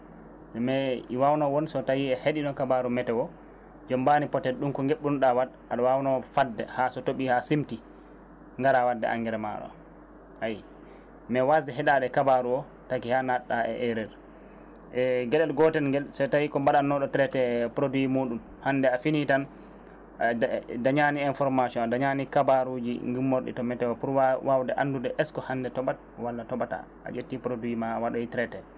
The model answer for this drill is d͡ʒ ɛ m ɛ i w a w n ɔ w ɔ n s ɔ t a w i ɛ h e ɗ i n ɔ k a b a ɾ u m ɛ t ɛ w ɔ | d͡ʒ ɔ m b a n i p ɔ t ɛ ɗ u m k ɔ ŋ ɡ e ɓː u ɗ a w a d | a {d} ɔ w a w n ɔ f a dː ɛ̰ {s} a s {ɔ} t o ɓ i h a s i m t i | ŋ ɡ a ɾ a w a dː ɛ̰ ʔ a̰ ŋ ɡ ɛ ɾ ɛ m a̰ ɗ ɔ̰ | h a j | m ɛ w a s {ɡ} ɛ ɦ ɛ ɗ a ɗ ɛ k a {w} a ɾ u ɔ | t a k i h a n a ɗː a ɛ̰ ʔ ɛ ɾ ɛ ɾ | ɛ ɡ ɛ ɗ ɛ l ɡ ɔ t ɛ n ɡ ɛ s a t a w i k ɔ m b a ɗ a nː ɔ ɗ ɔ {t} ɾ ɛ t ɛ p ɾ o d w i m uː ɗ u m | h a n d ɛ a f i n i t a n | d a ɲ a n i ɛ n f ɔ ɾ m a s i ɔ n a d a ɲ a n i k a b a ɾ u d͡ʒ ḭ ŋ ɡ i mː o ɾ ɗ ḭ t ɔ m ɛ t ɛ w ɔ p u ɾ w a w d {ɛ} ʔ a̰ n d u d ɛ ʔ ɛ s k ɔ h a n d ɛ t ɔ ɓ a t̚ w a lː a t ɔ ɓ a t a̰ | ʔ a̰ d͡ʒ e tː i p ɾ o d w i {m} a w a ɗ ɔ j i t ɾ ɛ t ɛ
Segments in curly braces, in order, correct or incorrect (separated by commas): incorrect, incorrect, correct, incorrect, incorrect, correct, correct, correct